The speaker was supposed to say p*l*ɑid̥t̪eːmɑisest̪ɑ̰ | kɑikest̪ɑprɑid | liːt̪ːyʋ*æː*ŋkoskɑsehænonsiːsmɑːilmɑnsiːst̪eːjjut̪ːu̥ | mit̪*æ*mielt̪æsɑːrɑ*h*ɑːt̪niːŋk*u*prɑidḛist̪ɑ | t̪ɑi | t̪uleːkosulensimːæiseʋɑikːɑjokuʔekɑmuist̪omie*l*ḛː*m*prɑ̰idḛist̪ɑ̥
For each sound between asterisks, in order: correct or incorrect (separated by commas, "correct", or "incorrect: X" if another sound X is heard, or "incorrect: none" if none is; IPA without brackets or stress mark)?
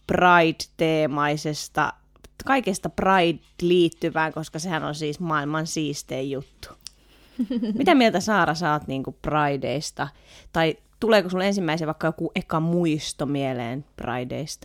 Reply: incorrect: r, correct, correct, incorrect: s, correct, correct, incorrect: n